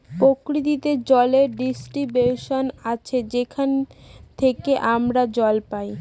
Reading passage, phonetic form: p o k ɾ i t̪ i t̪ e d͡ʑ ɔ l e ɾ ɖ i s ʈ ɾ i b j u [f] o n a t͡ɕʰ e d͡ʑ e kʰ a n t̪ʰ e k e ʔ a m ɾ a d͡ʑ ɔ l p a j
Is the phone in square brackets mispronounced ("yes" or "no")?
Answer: yes